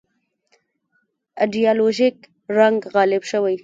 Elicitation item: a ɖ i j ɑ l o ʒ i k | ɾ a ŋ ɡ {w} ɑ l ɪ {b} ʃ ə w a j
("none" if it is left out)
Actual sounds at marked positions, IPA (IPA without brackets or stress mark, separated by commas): ɣ, b